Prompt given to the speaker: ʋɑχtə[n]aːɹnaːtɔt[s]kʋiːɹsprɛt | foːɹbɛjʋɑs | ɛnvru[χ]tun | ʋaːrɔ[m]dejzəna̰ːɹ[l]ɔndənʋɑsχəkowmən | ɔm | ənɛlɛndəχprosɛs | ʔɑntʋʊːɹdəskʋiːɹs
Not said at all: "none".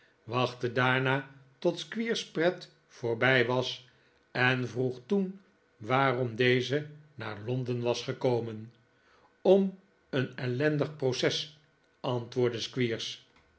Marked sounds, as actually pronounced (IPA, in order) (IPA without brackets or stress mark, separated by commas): d, s, χ, m, l